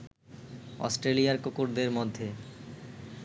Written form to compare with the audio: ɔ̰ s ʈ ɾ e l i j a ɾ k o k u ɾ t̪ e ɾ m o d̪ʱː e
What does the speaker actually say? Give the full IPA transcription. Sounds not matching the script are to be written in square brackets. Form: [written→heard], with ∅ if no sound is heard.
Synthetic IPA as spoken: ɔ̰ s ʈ ɾ e l i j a ɾ k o k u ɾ [t̪→d̪] e ɾ m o d̪ʱː e